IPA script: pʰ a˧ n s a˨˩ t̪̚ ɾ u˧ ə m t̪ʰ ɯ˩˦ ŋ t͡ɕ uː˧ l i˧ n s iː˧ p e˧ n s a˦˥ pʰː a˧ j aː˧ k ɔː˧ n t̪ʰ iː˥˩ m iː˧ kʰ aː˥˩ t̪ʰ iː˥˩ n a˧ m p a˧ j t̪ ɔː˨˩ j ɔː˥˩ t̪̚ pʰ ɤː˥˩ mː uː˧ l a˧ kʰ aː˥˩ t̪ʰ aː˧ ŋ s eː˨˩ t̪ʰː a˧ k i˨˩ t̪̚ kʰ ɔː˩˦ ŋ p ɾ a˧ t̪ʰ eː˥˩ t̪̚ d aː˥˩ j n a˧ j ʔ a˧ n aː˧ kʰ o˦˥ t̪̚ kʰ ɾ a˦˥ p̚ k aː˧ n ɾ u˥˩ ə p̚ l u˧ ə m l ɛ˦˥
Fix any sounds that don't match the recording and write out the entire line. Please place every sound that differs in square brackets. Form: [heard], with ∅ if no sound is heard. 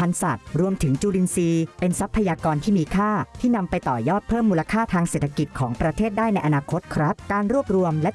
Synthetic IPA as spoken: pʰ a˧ n s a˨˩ t̪̚ ɾ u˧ ə m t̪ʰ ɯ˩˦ ŋ t͡ɕ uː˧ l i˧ n s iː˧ p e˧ n s a˦˥ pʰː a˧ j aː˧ k ɔː˧ n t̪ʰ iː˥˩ m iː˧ kʰ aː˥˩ t̪ʰ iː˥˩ n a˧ m p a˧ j t̪ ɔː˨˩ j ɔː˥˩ t̪̚ pʰ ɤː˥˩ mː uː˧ l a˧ kʰ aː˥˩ t̪ʰ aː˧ ŋ s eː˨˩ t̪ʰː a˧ k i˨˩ t̪̚ kʰ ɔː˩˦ ŋ p ɾ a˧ t̪ʰ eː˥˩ t̪̚ d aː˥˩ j n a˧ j ʔ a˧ n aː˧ kʰ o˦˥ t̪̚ kʰ ɾ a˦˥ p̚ k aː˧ n ɾ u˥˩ ə p̚ [ɾ] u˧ ə m l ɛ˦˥